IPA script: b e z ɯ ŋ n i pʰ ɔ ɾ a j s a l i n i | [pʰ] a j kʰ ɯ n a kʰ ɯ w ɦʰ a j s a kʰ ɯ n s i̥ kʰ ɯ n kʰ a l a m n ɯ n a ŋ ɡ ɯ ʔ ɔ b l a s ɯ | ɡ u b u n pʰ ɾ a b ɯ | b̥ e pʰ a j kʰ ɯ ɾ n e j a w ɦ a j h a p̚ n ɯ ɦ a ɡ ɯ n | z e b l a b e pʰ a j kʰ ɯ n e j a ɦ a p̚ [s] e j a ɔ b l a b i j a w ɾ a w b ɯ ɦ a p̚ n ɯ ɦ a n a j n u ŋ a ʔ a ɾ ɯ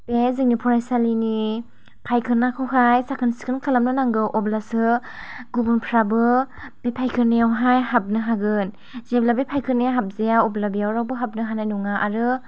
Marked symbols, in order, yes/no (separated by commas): yes, no